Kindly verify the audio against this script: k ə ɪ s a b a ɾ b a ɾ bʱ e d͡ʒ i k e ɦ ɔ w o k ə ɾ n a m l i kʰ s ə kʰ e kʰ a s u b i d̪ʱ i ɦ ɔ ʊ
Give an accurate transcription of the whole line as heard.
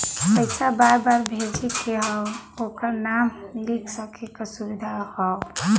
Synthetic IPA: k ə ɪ s a b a ɾ b a ɾ bʱ e d͡ʒ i k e ɦ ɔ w o k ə ɾ n a m l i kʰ s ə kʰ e k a s u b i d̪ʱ a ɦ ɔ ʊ